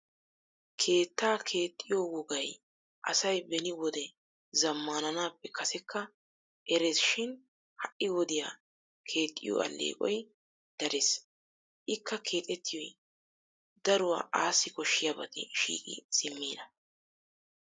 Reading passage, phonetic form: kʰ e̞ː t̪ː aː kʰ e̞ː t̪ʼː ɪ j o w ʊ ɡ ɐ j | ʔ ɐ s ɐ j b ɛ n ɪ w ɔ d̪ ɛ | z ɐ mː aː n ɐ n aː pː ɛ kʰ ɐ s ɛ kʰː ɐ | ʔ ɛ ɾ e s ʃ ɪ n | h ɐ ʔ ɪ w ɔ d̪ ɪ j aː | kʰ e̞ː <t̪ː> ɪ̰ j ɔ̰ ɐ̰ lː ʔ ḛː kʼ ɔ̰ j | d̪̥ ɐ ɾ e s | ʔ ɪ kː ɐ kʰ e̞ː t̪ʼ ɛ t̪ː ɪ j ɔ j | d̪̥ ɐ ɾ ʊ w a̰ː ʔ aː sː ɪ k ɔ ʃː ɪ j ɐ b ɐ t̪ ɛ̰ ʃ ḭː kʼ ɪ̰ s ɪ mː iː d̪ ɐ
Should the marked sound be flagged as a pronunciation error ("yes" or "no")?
yes